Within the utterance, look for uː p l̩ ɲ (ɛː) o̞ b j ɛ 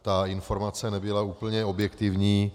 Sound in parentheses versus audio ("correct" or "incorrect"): incorrect